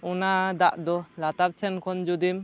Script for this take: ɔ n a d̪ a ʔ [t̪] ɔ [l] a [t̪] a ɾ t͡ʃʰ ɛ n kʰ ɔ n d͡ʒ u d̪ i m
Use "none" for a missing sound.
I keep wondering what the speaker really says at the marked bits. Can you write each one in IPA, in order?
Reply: d̪, l, t̪

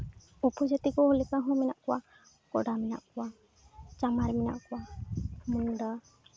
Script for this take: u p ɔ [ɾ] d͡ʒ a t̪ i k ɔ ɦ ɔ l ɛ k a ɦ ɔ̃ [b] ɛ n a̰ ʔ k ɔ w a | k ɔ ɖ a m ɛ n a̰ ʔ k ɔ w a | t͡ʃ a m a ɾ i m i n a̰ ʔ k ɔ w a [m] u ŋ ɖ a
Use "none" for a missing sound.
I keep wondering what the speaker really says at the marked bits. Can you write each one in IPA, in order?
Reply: none, m, m

